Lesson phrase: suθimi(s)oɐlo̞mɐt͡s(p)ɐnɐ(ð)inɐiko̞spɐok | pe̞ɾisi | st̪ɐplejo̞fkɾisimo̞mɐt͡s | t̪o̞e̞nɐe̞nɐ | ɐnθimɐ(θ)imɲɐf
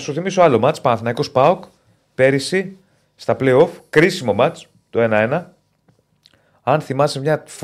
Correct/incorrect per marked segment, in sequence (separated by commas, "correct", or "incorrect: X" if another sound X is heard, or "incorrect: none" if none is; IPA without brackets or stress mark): correct, correct, incorrect: θ, incorrect: s